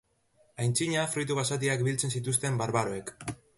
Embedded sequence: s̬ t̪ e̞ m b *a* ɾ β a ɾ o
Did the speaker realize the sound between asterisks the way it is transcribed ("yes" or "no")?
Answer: yes